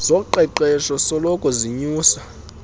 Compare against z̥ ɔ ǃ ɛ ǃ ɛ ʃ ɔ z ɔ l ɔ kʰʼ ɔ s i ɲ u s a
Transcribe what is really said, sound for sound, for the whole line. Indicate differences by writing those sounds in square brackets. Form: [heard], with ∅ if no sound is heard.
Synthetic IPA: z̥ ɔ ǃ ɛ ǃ ɛ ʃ ɔ [s] ɔ l ɔ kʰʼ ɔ [z] i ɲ [uː] s a